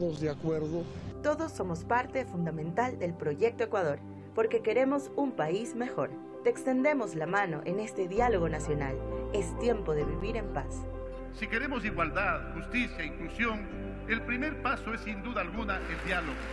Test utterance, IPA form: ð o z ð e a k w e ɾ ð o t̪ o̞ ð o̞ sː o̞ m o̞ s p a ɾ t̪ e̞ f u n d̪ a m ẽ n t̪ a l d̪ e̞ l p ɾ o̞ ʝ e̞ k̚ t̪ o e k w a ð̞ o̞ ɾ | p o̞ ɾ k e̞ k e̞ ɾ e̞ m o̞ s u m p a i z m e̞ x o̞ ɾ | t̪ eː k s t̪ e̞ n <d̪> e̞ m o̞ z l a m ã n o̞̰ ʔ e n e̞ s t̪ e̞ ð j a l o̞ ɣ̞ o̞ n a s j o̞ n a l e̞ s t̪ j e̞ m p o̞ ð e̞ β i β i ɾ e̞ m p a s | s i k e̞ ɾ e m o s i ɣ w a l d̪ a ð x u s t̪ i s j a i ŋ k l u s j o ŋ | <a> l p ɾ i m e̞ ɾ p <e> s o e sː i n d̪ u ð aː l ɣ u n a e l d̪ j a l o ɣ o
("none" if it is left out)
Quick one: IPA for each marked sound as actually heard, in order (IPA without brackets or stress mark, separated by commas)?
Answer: d̪, e, a